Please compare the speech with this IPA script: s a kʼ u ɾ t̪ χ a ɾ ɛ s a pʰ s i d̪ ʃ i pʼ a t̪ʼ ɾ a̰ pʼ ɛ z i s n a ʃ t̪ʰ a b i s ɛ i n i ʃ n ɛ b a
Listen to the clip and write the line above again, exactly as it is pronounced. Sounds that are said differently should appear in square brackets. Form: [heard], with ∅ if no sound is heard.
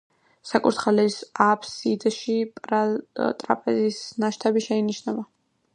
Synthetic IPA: s a kʼ u ɾ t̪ χ a [l] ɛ s a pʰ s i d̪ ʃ i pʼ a t̪ʼ ɾ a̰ pʼ ɛ z i s n a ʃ t̪ʰ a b i [ʃ] ɛ i n i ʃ n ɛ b a

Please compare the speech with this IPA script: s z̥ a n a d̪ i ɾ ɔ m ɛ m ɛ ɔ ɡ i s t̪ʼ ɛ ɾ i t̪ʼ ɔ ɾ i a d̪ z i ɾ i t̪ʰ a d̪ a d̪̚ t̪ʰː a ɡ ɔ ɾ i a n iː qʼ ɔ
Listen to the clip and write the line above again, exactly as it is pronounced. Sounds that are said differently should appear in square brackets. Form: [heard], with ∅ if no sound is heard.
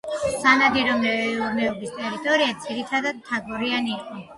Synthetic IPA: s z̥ a n a d̪ i ɾ ɔ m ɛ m ɛ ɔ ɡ i s t̪ʼ ɛ ɾ i t̪ʼ ɔ ɾ i a d̪ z i ɾ i t̪ʰ a d̪ a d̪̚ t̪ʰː a ɡ ɔ ɾ i a n iː qʼ ɔ

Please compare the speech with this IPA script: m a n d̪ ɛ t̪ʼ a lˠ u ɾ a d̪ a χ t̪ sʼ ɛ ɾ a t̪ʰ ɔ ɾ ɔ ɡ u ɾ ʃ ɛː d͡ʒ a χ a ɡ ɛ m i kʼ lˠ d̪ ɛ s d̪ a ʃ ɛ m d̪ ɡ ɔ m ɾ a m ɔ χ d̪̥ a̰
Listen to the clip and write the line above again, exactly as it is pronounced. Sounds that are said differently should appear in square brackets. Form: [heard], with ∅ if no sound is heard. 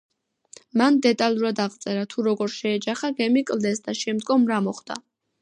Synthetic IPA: m a n d̪ ɛ t̪ʼ a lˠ u ɾ a d̪ a [ʁ] t̪ sʼ ɛ ɾ a t̪ʰ [u] ɾ ɔ ɡ [ɔ] ɾ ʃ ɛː d͡ʒ a χ a ɡ ɛ m i kʼ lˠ d̪ ɛ s d̪ a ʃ ɛ m d̪ ɡ ɔ m ɾ a m ɔ χ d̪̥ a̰

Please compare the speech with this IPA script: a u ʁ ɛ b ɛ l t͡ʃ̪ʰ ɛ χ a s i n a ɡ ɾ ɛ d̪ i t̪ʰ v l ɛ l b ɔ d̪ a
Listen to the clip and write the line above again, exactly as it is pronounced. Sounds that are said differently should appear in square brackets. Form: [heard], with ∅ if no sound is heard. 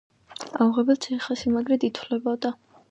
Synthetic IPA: a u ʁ ɛ b ɛ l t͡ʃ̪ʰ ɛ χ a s i [m] a ɡ ɾ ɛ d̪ i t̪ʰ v l ɛ [∅] b ɔ d̪ a

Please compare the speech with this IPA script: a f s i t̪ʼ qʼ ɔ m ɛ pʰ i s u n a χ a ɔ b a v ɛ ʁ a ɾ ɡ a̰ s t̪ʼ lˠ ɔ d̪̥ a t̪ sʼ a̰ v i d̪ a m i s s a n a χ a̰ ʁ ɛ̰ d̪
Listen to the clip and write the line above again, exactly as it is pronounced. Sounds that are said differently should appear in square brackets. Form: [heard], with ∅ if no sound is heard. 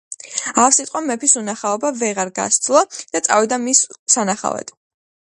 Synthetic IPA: a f s i t̪ʼ qʼ ɔ m ɛ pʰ i s u n a χ a ɔ b a v ɛ ʁ a ɾ ɡ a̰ s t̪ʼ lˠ ɔ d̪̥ a t̪ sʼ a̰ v i d̪ a m i s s a n a χ a̰ [v] ɛ̰ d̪

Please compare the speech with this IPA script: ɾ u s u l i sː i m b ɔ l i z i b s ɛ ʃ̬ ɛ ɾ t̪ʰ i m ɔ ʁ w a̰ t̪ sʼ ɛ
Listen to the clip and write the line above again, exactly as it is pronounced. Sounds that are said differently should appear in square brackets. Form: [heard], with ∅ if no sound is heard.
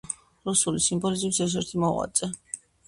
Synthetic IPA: ɾ u s u l i [s] i m b ɔ l i z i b s ɛ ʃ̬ ɛ ɾ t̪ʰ i m ɔ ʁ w a̰ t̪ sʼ ɛ

